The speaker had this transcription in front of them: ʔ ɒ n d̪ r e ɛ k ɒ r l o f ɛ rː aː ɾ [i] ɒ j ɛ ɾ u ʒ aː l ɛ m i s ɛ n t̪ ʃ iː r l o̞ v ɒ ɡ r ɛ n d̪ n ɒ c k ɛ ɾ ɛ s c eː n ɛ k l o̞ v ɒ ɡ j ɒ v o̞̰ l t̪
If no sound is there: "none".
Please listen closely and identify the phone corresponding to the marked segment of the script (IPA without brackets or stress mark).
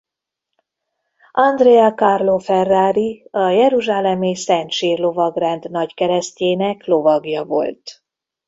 i